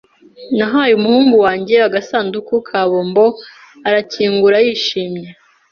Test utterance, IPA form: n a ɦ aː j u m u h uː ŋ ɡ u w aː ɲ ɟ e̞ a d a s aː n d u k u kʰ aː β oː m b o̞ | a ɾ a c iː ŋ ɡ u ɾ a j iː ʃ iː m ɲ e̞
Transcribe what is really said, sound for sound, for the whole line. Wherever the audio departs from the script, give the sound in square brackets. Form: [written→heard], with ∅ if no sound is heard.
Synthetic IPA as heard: n a ɦ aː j u m u h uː ŋ ɡ u w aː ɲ ɟ e̞ a [d→ɡ] a s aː n d u k u kʰ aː β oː m b o̞ | a ɾ a c iː ŋ ɡ u ɾ a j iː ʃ iː m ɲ e̞